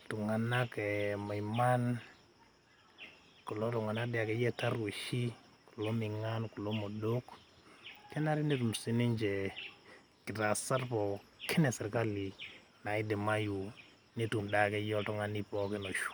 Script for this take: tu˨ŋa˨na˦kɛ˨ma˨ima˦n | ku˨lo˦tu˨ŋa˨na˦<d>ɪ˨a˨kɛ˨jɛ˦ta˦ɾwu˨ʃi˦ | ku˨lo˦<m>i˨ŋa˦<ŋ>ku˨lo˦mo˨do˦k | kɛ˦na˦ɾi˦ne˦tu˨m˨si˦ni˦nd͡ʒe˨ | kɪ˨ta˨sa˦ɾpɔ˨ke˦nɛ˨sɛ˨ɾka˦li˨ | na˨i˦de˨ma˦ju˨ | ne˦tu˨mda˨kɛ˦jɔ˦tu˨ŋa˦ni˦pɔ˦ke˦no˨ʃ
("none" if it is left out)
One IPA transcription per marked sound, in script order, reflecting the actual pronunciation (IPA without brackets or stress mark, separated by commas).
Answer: d, m, n